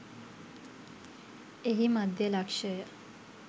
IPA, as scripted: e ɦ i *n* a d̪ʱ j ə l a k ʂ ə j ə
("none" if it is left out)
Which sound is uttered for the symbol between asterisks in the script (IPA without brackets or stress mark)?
m